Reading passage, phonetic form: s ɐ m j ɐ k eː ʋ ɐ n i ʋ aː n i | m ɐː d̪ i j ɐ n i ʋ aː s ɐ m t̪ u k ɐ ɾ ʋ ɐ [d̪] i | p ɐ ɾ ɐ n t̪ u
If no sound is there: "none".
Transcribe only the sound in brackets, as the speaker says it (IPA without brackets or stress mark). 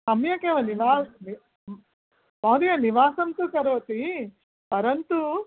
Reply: t̪